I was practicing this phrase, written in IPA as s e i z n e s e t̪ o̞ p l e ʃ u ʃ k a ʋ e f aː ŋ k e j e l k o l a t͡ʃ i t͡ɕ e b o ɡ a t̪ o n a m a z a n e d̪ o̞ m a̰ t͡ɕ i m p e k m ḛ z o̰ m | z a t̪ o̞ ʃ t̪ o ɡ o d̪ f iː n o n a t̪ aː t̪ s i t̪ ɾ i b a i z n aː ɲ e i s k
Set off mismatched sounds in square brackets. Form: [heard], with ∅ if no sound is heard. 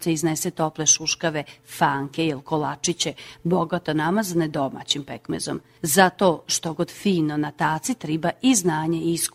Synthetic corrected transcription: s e i z n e s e t̪ o̞ p l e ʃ u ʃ k a ʋ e f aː ŋ k e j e l k o l a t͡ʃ i t͡ɕ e b o ɡ a t̪ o n a m a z a n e d̪ o̞ m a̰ t͡ɕ i m p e k m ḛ z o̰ m | z a t̪ o̞ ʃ t̪ o ɡ o d̪ f iː n o n a t̪ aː t̪ s i t̪ ɾ i b a i z n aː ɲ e i s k